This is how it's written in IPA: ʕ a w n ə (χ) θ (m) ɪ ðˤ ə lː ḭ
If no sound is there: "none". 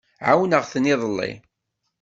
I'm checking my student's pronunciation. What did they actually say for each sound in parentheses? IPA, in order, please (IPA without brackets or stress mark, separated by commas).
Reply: ʁ, n